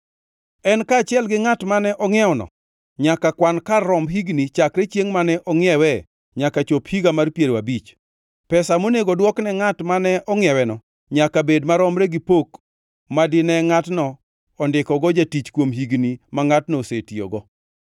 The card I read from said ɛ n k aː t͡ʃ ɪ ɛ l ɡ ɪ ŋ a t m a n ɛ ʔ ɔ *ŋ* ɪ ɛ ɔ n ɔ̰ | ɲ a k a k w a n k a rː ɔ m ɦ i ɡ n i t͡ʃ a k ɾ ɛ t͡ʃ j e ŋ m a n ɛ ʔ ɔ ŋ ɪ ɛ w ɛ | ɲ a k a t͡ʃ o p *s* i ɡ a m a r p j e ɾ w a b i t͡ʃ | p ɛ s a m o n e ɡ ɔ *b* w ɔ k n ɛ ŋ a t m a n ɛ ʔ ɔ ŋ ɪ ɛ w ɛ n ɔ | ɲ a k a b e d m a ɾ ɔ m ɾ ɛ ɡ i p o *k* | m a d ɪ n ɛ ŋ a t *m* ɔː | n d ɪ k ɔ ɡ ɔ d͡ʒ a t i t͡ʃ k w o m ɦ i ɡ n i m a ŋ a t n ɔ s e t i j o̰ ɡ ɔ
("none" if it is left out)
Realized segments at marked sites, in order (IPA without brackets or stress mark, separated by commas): ŋ, h, d, k, n